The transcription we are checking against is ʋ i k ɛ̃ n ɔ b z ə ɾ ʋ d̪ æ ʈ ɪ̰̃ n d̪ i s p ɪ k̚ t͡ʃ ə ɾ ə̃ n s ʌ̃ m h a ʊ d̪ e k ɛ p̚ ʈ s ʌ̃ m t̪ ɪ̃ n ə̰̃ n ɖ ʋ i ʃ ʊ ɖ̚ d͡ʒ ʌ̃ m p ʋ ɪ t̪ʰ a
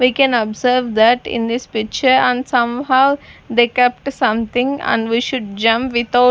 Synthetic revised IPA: ʋ i k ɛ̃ n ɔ b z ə ɾ ʋ d̪ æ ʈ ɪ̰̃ n d̪ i s p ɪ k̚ t͡ʃ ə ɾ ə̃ n s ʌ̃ m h a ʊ d̪ e k ɛ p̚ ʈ s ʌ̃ m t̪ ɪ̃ ŋ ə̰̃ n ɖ ʋ i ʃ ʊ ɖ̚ d͡ʒ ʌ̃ m p ʋ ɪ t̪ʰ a